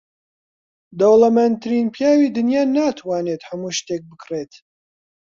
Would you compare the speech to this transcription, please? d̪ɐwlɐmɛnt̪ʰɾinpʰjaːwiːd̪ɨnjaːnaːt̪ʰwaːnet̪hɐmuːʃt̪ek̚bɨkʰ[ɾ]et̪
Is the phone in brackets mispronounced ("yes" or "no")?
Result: yes